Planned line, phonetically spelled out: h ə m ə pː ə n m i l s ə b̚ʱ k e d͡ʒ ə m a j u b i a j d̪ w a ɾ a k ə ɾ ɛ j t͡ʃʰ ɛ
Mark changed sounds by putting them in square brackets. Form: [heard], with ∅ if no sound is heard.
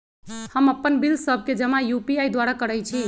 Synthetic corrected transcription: h ə m ə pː ə n [b] i l s ə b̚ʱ k e d͡ʒ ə m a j u [p] i a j d̪ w a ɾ a k ə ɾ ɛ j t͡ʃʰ [i]